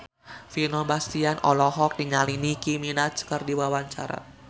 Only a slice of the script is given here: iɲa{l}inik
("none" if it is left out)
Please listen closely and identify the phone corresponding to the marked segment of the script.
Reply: l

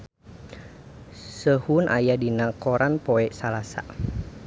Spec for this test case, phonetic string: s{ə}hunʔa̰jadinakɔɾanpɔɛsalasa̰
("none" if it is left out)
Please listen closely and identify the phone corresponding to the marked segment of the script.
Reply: ə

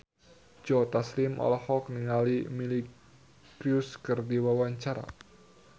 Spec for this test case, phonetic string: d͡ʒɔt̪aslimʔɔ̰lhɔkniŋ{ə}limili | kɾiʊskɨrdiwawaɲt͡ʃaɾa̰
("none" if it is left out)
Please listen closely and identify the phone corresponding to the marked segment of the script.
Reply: a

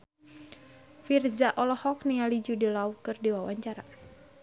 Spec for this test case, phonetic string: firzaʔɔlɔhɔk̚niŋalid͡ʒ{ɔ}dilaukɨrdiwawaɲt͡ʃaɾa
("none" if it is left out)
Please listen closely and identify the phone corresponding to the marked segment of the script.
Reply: u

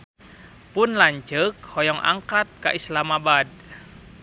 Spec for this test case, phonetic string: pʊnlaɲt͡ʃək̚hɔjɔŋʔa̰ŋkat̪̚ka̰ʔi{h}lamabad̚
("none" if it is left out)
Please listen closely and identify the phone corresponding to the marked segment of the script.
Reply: s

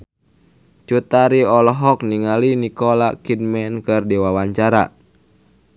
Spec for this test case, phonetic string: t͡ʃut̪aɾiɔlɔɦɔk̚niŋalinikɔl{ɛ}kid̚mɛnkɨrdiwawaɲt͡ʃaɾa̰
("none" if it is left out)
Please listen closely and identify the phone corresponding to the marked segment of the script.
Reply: a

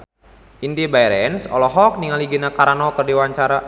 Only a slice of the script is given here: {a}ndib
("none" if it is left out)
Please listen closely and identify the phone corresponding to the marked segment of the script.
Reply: i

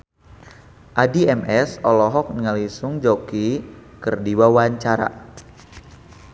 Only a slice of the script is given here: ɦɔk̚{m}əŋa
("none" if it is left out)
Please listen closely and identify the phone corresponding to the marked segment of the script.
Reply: n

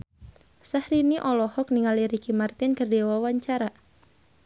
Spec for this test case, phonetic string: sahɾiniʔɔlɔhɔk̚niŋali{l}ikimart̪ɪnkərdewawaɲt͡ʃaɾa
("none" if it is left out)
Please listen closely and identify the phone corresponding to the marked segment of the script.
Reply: ɾ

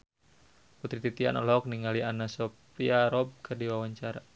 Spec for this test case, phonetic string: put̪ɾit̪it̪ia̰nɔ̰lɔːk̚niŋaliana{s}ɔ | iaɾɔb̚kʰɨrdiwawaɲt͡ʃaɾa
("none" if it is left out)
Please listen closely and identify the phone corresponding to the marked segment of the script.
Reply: s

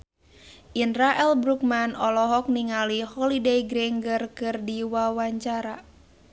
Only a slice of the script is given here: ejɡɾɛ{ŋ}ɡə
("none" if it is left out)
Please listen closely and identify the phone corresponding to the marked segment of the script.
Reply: ŋ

